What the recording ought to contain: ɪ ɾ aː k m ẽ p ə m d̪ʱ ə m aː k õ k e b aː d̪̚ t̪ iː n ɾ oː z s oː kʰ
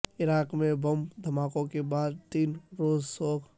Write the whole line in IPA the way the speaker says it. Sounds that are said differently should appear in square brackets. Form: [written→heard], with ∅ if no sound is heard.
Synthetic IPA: ɪ ɾ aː k m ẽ [p→b] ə m d̪ʱ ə m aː k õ k e b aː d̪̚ t̪ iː n ɾ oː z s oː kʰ